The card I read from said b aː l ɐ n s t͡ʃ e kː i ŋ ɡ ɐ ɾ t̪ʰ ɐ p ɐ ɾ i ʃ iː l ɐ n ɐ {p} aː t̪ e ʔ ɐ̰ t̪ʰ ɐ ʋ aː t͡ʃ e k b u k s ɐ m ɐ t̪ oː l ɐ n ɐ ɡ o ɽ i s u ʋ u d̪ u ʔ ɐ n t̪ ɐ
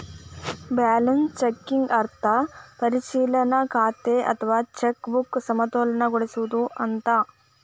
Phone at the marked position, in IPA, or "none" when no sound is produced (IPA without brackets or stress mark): k